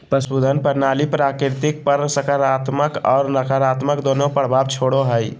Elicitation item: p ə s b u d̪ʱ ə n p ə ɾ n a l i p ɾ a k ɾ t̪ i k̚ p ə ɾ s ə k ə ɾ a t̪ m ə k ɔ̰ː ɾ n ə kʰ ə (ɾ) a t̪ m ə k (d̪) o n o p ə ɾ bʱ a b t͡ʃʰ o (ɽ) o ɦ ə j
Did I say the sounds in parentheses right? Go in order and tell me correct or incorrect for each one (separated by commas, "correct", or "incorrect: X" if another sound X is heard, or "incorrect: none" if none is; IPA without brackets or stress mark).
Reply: correct, correct, correct